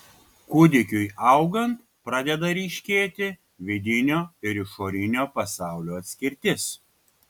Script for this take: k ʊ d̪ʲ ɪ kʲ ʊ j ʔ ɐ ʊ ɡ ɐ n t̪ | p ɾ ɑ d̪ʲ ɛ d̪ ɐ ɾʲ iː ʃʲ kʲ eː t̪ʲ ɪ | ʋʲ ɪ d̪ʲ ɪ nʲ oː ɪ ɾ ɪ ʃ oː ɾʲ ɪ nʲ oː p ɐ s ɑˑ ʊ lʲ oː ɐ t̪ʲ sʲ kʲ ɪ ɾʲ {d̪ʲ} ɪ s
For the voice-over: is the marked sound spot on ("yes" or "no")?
no